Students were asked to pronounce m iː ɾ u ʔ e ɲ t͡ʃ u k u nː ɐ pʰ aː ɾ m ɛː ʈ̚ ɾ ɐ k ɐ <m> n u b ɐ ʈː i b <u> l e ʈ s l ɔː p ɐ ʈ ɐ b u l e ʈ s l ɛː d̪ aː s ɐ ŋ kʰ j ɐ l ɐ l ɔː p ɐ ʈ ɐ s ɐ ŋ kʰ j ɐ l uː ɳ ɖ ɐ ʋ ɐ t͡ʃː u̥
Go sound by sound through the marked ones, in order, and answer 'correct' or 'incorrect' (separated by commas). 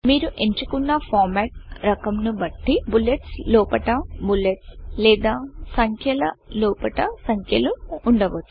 correct, correct